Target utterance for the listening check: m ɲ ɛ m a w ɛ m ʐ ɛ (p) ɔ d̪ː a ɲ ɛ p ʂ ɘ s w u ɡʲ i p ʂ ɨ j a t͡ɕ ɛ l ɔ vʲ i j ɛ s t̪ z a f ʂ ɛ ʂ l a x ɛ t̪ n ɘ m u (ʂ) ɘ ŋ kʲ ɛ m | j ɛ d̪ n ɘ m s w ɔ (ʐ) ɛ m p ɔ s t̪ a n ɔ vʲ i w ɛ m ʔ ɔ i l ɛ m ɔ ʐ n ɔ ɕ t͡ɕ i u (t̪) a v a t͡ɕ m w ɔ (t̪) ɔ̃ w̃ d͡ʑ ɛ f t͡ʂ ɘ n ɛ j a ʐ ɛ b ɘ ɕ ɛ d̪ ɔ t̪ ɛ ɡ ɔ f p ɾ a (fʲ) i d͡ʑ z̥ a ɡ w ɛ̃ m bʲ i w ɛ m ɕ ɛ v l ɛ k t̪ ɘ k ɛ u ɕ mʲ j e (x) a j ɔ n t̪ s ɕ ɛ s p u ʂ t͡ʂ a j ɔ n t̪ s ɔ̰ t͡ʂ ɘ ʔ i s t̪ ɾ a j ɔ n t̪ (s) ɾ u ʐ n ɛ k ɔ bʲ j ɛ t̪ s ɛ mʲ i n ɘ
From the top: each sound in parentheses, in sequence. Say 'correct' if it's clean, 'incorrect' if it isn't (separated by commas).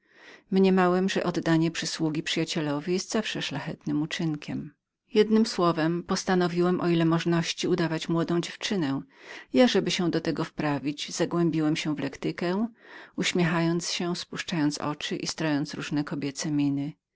incorrect, incorrect, incorrect, incorrect, incorrect, incorrect, correct, correct